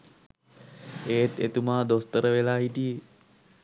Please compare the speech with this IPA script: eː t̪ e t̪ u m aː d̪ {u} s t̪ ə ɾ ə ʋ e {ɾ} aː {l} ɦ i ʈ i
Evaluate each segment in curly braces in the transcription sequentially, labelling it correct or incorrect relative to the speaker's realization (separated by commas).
incorrect, incorrect, incorrect